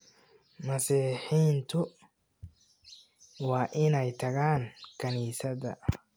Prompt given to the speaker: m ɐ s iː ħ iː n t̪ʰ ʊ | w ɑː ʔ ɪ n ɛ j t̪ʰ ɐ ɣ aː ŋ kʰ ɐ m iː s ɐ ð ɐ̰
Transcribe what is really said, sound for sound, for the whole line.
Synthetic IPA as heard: m ɐ s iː ħ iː n t̪ʰ ʊ | w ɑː ʔ ɪ n ɛ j t̪ʰ ɐ ɣ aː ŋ kʰ ɐ n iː s ɐ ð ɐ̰